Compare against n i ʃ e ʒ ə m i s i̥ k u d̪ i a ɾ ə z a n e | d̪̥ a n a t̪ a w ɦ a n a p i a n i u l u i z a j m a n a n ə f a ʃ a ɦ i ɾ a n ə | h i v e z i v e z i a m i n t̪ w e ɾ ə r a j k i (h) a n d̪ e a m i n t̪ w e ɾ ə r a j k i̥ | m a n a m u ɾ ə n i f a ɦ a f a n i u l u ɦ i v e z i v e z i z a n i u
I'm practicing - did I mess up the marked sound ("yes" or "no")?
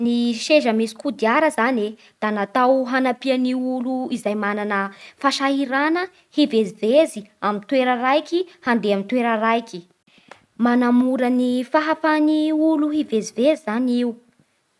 no